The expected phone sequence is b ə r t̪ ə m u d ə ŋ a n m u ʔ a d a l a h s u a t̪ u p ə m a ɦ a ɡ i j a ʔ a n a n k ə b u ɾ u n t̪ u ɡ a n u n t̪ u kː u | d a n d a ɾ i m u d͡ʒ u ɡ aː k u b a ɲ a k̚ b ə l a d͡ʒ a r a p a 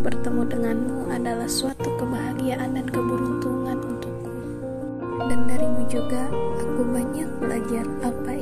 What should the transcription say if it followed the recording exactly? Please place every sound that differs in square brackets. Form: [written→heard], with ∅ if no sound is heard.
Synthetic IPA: b ə r t̪ ə m u d ə ŋ a n m u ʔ a d a l a h s u a t̪ u [p→k] ə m a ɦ a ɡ i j a ʔ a n a n k ə b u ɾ u n t̪ u [ɡ→ŋ] a n u n t̪ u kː u | d a n d a ɾ i m u d͡ʒ u ɡ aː k u b a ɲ a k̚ b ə l a d͡ʒ a r a p a